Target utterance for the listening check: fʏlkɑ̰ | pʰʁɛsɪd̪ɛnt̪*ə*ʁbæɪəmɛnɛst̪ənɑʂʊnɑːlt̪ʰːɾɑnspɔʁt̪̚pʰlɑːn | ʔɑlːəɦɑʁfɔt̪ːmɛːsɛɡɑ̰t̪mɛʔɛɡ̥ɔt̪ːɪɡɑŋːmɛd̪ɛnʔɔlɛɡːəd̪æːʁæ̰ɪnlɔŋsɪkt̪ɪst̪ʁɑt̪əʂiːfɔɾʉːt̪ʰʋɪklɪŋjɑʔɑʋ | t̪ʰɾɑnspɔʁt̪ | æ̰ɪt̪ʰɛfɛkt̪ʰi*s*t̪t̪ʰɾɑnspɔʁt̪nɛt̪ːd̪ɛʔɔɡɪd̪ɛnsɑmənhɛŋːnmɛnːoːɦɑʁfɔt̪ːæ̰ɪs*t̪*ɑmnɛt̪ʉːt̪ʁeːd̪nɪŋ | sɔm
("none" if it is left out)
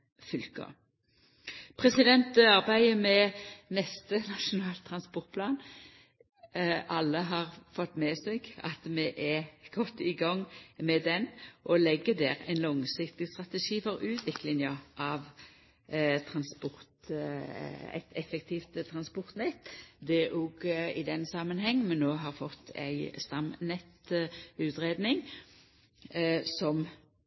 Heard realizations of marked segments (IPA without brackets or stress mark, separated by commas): ɑ, f, t̪